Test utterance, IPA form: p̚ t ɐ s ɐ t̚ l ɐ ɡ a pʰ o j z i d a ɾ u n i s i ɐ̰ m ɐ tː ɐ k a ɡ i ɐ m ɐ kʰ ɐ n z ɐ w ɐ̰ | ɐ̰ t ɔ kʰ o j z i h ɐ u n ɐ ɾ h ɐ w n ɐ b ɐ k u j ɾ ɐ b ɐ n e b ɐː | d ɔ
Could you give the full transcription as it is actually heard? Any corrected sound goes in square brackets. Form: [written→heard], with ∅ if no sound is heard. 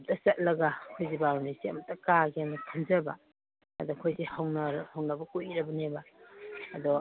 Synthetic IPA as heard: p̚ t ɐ s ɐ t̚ l ɐ ɡ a [pʰ→kʰ] o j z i [d→b] a ɾ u n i s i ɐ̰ m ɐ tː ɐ k a ɡ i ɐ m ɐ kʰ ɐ n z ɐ [w→b] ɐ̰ | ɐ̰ [t→d] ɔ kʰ o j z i h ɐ [u→w] n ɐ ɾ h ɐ w n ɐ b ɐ k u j ɾ ɐ b ɐ n e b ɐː | d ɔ

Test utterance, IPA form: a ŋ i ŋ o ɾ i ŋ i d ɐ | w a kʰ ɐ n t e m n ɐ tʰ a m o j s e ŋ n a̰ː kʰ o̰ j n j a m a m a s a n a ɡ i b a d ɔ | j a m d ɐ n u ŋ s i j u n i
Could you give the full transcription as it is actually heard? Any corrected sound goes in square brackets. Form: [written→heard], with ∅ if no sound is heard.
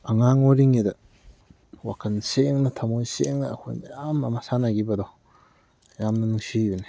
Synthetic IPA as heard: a ŋ [i→a] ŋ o ɾ i ŋ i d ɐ | w a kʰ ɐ n [t→s] e [m→ŋ] n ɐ tʰ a m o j s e ŋ n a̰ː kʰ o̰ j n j a m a m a s a n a ɡ i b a d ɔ | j a m [d→n] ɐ n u ŋ s i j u n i

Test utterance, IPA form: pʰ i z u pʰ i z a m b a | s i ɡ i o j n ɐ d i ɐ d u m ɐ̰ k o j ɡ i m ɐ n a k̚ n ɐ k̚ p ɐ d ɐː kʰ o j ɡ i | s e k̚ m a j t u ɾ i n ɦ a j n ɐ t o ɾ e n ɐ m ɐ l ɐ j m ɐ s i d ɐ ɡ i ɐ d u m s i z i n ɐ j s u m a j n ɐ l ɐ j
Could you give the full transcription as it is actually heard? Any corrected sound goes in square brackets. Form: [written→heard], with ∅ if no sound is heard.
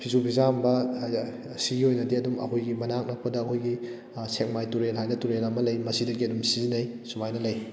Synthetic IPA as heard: pʰ i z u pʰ i z a m b [a→ɐ] | s i ɡ i o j n ɐ d i ɐ d u m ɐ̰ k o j ɡ i m ɐ n a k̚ n ɐ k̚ p ɐ d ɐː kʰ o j ɡ i | s e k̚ m a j t u ɾ [i→e] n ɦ a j n ɐ t [o→u] ɾ e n ɐ m ɐ l ɐ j m ɐ s i d ɐ ɡ i ɐ d u m s i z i n ɐ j s u m a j n ɐ l ɐ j

